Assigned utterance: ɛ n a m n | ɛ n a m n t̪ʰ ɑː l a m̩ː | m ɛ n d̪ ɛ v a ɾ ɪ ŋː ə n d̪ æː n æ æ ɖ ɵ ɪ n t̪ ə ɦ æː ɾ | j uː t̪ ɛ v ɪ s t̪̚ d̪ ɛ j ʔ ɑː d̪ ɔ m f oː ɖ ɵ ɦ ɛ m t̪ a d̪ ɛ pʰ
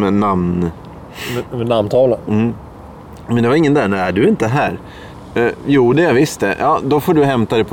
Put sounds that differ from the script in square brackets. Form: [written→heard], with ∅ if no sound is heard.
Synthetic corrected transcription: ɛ n a m n | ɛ n a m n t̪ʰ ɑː l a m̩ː | m ɛ n d̪ ɛ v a ɾ ɪ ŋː ə n d̪ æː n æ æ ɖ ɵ ɪ n t̪ ə ɦ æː ɾ | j uː [t̪→d̪] ɛ v ɪ s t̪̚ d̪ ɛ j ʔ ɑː d̪ ɔ [m→∅] f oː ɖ ɵ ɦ ɛ m t̪ a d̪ ɛ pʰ